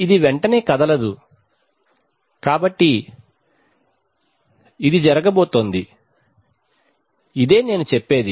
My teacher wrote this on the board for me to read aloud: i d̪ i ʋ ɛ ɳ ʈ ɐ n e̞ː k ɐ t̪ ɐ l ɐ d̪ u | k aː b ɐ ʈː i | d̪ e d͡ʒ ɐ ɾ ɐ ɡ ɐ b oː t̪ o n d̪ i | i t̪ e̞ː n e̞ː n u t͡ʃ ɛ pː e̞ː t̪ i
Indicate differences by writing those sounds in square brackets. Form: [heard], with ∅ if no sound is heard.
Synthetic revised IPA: i d̪ i ʋ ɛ ɳ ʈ ɐ n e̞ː k ɐ [d̪] ɐ l ɐ d̪ u | k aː b ɐ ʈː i | d̪ [i] d͡ʒ ɐ ɾ ɐ ɡ ɐ b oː t̪ o n d̪ i | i [d̪] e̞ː n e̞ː n u t͡ʃ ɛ pː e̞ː [d̪] i